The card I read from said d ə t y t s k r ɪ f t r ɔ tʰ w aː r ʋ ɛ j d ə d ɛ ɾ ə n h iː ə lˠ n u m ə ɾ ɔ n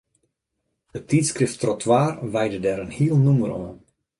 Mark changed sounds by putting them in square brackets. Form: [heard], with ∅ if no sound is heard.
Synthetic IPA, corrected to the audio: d ə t [i] t s k r ɪ f t r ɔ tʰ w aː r ʋ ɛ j d ə d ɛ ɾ ə n h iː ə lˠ n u m ə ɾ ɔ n